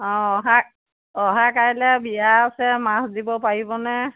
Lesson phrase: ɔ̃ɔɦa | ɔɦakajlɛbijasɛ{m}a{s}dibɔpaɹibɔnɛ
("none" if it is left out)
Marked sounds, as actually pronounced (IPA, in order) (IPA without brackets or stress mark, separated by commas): m, s